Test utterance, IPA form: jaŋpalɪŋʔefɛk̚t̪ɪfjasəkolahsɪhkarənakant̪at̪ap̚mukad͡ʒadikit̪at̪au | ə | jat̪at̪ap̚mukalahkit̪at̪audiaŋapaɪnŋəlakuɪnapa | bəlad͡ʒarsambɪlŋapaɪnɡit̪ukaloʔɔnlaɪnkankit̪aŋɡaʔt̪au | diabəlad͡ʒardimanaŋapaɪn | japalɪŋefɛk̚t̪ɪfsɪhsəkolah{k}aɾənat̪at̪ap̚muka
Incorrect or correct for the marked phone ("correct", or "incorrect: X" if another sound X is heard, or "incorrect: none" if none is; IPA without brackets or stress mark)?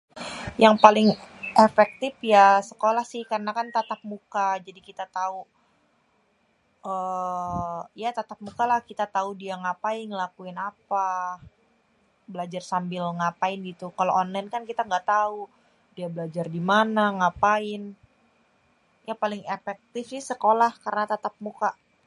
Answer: correct